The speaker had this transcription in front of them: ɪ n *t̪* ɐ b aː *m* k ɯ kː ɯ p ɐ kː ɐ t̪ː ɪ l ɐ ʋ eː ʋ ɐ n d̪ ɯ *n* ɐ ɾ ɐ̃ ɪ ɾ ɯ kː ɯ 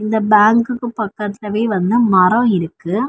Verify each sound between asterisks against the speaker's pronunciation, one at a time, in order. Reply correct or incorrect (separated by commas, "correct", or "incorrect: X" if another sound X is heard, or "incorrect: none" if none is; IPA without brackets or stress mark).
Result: incorrect: d̪, incorrect: ŋ, incorrect: m